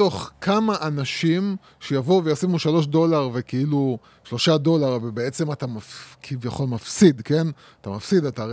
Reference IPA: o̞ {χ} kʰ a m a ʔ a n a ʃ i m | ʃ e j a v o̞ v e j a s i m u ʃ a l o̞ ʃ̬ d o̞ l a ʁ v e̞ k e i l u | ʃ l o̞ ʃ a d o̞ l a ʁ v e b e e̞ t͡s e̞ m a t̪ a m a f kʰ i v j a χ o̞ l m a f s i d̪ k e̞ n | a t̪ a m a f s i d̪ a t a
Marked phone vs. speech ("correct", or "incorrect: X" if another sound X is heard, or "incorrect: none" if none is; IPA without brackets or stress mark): correct